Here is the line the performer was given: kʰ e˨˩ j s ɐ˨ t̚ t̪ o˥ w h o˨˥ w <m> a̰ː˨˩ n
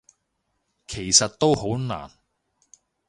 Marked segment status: incorrect: n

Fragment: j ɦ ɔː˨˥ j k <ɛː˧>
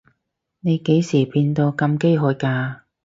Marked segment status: incorrect: aː˧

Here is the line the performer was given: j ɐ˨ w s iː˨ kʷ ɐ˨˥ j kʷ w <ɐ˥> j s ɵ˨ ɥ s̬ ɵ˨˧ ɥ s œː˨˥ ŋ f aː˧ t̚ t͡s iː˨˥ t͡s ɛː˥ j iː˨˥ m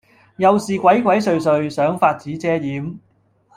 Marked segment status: incorrect: ɐ˨˥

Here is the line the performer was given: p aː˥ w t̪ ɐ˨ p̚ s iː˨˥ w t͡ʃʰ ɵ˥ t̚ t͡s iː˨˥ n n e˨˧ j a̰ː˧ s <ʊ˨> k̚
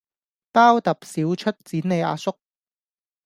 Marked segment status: incorrect: ʊ˥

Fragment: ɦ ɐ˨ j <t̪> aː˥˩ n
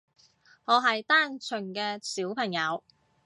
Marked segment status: correct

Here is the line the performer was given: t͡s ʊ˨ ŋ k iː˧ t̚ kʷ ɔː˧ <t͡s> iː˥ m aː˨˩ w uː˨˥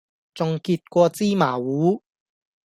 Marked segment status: correct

